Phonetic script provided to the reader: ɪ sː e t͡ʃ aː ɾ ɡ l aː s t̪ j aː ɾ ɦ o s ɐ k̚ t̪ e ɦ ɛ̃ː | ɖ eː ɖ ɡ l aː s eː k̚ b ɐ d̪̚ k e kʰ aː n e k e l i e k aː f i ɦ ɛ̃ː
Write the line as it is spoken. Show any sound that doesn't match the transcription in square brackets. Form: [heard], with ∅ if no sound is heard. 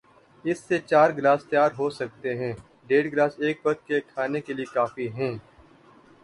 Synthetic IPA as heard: ɪ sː e t͡ʃ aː ɾ ɡ l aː s t̪ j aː ɾ ɦ o s ɐ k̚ t̪ e ɦ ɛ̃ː | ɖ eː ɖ ɡ l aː s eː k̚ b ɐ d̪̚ k e kʰ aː n e k e l i e k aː f i ɦ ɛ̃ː